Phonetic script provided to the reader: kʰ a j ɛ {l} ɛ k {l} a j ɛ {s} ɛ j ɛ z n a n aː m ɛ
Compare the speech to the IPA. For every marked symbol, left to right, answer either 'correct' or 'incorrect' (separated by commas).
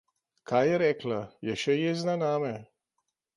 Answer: incorrect, correct, incorrect